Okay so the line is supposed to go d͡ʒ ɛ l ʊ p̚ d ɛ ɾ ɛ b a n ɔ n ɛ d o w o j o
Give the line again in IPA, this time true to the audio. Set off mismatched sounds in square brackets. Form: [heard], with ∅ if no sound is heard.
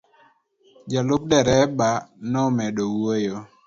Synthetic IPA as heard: d͡ʒ [a] l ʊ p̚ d ɛ ɾ ɛ b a n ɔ [m] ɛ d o w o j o